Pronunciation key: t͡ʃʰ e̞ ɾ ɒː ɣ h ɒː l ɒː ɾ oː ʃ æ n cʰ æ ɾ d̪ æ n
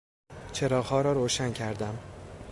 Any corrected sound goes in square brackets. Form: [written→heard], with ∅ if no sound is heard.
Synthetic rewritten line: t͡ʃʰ e̞ ɾ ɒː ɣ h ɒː [l→ɾ] ɒː ɾ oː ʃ æ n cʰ æ ɾ d̪ æ [n→m]